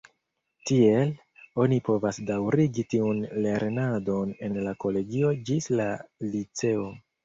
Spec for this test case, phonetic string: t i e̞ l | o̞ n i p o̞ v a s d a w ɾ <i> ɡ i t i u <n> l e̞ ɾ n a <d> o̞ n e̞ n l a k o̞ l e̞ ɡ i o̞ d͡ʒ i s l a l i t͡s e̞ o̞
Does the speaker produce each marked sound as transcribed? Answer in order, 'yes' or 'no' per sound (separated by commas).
yes, yes, yes